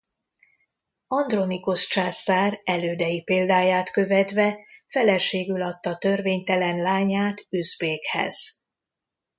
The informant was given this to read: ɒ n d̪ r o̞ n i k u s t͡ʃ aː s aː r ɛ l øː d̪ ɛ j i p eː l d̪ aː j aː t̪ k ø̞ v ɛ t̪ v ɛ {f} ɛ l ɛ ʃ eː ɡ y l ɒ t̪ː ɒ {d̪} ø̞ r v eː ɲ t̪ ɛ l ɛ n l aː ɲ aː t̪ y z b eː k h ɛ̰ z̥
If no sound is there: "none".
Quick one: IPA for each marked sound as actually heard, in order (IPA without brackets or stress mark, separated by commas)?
f, t̪